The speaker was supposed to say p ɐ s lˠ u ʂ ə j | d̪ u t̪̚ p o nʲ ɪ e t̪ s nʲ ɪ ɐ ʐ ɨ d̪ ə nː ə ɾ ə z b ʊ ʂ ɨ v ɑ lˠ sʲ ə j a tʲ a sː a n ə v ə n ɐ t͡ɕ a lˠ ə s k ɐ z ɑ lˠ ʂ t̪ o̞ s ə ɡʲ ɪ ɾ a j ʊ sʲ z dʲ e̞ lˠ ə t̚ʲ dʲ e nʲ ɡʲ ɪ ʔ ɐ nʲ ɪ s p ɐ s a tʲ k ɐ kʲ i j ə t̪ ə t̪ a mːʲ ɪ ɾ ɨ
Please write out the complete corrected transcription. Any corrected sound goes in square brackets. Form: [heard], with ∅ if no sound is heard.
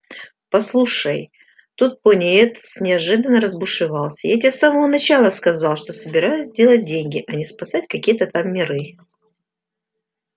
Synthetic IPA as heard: p ɐ s lˠ u ʂ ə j | [t̪] u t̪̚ p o nʲ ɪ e t̪ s nʲ ɪ ɐ ʐ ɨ d̪ ə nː ə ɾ ə z b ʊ ʂ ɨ v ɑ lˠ sʲ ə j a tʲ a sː a [m] ə v ə n ɐ t͡ɕ a lˠ ə s k ɐ z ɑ lˠ ʂ t̪ o̞ s ə [bʲ] ɪ ɾ a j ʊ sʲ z dʲ e̞ lˠ ə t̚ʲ dʲ e nʲ ɡʲ ɪ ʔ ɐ nʲ ɪ s p ɐ s a tʲ k ɐ kʲ i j ə t̪ ə t̪ a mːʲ ɪ ɾ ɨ